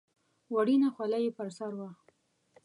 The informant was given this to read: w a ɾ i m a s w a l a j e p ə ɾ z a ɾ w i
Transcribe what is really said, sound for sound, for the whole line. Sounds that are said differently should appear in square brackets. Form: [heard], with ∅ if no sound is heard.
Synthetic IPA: w a [ɽ] i [n] a [x] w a l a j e p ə ɾ [s] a ɾ w [a]